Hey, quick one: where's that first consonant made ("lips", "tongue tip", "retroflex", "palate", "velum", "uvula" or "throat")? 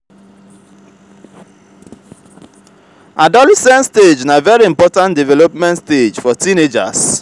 tongue tip